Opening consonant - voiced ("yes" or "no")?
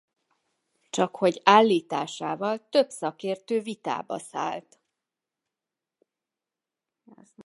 no